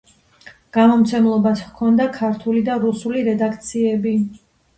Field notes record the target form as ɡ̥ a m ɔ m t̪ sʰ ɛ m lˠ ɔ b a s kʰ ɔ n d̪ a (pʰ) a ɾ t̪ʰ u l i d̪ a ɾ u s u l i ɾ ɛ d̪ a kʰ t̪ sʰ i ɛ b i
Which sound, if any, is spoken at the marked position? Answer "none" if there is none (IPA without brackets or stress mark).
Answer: kʰ